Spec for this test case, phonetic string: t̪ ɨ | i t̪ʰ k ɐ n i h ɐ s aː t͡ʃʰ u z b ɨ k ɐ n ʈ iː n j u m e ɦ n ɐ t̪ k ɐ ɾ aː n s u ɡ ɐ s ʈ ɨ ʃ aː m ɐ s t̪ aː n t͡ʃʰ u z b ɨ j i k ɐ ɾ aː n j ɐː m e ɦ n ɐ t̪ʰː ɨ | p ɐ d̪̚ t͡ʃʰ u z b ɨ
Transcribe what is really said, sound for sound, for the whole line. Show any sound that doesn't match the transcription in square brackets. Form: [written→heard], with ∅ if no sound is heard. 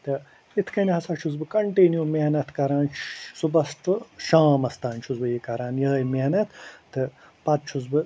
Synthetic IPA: t̪ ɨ | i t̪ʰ k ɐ n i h ɐ s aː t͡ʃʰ u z b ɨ k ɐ [n→ɳ] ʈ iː n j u m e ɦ n ɐ t̪ k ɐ ɾ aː n s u [ɡ→b] ɐ s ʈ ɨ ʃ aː m ɐ s t̪ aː n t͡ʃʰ u z b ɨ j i k ɐ ɾ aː n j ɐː m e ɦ n ɐ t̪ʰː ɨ | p ɐ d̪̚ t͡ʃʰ u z b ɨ